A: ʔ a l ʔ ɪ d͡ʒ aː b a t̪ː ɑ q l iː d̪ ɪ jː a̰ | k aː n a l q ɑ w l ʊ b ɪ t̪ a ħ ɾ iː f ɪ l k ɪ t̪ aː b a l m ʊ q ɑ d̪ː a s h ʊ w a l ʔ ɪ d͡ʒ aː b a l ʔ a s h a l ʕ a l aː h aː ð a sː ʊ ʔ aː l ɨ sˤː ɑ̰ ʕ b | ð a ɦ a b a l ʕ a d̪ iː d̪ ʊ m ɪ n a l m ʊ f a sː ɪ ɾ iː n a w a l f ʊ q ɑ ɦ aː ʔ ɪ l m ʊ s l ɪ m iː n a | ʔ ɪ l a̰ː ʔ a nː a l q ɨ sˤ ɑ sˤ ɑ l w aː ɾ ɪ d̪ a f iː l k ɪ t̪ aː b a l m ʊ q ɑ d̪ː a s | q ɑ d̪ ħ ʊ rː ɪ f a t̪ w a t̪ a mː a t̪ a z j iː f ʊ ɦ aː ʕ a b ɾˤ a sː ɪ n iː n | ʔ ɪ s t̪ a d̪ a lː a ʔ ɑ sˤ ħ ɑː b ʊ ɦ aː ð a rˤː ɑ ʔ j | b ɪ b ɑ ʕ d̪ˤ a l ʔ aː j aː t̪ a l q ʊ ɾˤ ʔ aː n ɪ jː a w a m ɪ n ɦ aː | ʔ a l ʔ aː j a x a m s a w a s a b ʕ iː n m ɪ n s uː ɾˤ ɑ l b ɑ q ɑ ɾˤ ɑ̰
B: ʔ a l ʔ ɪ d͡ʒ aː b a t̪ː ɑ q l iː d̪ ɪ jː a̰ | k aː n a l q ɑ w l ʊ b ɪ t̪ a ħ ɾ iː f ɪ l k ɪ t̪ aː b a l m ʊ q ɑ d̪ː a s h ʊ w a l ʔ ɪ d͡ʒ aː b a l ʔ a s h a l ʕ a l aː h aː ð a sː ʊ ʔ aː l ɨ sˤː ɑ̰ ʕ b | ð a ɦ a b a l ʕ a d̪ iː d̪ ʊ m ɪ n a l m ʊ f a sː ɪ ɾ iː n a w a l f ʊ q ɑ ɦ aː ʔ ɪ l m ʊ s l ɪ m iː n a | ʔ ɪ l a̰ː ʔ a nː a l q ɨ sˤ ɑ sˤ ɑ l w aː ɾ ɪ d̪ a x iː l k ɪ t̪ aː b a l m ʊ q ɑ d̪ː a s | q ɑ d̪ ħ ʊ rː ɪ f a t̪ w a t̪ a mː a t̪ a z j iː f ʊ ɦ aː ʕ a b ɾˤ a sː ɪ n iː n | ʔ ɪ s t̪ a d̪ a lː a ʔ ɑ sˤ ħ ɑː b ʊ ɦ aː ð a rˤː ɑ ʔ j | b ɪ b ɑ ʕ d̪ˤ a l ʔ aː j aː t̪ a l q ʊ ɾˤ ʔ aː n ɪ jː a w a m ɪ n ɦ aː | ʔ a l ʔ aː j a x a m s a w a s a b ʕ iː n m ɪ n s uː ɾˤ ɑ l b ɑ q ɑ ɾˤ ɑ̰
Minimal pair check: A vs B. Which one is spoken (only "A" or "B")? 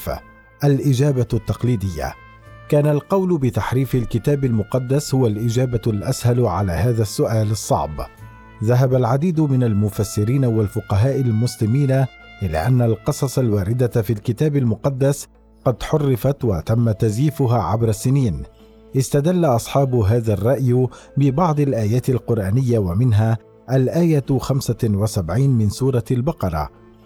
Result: A